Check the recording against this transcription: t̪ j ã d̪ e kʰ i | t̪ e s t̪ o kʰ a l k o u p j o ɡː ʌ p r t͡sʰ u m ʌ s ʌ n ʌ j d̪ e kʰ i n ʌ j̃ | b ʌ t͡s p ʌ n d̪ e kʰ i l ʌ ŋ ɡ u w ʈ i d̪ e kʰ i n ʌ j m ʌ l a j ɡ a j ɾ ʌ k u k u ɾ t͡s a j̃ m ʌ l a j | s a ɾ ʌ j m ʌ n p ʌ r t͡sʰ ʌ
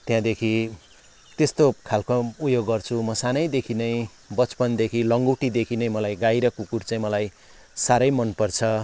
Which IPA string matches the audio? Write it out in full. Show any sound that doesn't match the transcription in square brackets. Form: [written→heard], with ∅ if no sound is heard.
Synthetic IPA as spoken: t̪ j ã d̪ e kʰ i | t̪ e s t̪ o kʰ a l k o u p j o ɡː ʌ [p→∅] r t͡sʰ u m ʌ s [ʌ→a] n ʌ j d̪ e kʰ i n ʌ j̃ | b ʌ t͡s p ʌ n d̪ e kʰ i l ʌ ŋ ɡ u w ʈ i d̪ e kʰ i n ʌ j m ʌ l a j ɡ a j ɾ ʌ k u k u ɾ t͡s a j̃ m ʌ l a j | s a ɾ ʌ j m ʌ n p ʌ r t͡sʰ ʌ